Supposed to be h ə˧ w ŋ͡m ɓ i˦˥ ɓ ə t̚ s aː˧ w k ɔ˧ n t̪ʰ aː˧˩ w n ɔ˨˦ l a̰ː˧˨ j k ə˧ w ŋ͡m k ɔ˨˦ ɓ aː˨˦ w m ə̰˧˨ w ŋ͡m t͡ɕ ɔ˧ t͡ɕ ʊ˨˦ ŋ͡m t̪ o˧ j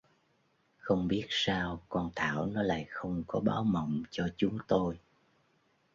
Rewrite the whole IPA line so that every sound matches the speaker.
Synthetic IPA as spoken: x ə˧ w ŋ͡m ɓ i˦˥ ə t̚ s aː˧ w k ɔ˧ n t̪ʰ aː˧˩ w n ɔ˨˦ l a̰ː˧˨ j x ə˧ w ŋ͡m k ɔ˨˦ ɓ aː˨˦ w m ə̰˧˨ w ŋ͡m t͡ɕ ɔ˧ t͡ɕ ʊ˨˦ ŋ͡m t̪ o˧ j